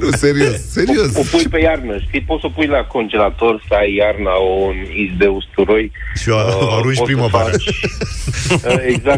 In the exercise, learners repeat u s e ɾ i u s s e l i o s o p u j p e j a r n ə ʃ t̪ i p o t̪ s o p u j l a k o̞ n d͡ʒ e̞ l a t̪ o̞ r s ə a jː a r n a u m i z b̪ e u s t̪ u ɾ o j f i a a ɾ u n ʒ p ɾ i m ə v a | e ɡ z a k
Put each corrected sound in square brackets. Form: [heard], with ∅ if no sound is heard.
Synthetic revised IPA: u s e ɾ i [o] s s e [ɾ] i o s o p u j p e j a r n ə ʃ t̪ i p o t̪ s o p u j l a k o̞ n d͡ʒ e̞ l a t̪ o̞ r s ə a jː a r n a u [n] i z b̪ e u s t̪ u ɾ o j [ʃ] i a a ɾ u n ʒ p ɾ i m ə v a | e ɡ z a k